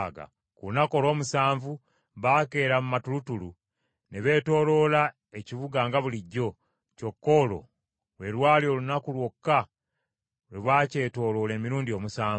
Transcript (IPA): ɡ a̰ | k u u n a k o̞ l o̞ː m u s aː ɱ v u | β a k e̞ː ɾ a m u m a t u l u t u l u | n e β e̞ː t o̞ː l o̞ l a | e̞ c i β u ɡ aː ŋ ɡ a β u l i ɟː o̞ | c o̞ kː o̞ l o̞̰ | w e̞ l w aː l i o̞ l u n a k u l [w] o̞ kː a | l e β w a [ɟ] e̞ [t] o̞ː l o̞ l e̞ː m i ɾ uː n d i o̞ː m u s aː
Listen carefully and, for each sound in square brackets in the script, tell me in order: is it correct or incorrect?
correct, incorrect, correct

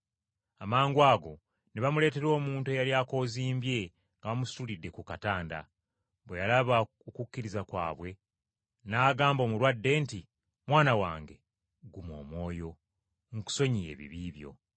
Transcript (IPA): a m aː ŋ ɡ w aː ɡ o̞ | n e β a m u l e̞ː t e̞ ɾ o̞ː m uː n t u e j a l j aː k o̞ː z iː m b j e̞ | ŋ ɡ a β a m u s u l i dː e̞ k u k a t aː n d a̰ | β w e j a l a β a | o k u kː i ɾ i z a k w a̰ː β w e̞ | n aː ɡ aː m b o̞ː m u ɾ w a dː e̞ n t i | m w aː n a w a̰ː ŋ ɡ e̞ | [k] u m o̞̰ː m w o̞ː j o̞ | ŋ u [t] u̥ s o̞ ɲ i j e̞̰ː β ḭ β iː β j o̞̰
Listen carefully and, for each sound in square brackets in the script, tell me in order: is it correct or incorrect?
incorrect, incorrect

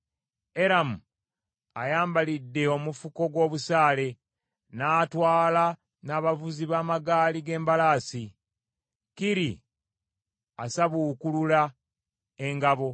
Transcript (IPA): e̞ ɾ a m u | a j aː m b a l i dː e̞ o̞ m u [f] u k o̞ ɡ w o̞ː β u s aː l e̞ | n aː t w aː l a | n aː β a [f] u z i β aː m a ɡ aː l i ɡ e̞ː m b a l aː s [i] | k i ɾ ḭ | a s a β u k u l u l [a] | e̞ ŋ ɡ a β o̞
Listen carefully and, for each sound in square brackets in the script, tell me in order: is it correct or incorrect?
correct, incorrect, correct, correct

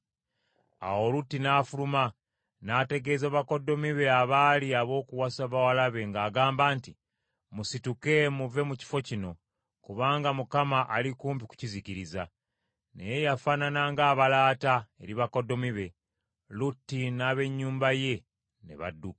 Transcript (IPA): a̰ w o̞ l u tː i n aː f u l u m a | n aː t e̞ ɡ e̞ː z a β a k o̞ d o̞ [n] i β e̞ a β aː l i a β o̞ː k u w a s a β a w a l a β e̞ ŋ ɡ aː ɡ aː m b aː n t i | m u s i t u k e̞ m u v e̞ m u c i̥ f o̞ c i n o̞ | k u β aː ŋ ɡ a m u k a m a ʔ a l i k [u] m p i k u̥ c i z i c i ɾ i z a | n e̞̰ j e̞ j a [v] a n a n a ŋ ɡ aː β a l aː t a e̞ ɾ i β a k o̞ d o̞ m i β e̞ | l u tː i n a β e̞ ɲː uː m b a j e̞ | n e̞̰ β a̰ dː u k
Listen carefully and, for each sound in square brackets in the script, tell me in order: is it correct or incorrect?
incorrect, incorrect, incorrect

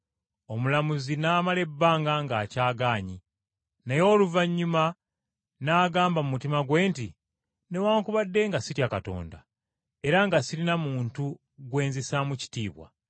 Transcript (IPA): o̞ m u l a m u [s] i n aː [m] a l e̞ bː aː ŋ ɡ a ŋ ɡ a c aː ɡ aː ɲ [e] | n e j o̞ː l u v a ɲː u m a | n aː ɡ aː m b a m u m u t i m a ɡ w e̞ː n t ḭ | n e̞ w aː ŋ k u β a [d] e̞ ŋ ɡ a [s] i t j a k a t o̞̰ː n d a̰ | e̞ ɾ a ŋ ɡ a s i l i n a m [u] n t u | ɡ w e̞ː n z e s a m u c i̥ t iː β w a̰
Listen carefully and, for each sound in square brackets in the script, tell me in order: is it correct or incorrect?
incorrect, correct, incorrect, incorrect, correct, incorrect

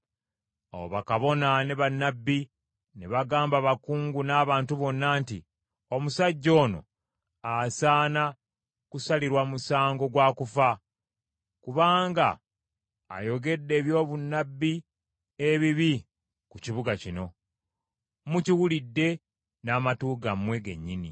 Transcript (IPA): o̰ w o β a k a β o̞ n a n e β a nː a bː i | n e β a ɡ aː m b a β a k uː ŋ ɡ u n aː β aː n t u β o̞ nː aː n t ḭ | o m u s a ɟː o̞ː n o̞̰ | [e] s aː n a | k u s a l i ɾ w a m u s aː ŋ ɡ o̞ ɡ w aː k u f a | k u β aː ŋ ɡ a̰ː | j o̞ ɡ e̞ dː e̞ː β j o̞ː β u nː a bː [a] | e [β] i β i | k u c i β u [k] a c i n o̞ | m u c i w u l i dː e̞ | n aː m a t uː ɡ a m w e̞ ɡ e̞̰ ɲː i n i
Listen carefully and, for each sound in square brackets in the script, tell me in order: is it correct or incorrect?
incorrect, incorrect, correct, incorrect

